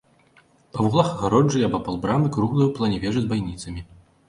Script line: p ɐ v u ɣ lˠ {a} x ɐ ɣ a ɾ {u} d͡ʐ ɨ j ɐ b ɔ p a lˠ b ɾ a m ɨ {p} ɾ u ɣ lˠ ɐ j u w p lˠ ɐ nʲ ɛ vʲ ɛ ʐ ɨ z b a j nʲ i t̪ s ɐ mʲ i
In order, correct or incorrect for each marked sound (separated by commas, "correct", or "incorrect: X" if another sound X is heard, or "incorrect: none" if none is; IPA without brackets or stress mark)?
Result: correct, incorrect: ɔ, incorrect: k